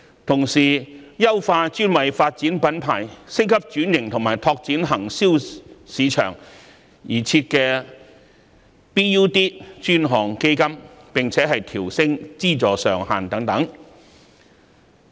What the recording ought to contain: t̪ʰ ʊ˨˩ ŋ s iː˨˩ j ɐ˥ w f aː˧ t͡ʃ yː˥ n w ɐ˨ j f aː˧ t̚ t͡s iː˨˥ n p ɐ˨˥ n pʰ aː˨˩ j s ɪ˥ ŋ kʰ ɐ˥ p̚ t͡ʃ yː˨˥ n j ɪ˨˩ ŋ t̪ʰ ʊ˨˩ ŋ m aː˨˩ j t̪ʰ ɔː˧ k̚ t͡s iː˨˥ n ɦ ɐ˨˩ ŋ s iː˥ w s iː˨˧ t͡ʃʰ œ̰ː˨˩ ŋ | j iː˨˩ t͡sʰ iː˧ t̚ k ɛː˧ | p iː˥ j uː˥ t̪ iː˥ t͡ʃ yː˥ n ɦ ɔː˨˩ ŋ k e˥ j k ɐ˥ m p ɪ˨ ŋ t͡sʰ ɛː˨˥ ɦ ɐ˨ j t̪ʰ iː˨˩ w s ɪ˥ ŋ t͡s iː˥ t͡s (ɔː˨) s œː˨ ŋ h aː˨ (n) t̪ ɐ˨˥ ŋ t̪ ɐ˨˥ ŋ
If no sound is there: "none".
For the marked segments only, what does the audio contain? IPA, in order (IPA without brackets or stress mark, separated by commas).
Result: ɔː˨, n